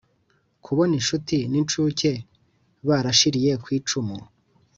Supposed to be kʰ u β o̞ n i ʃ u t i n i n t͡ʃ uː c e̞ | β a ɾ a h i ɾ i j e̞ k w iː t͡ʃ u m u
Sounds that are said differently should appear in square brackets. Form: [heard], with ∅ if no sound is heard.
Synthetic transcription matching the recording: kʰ u β o̞ n i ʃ u t i n i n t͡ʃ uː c e̞ | β a ɾ a [ʃ] i ɾ i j e̞ k w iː t͡ʃ u m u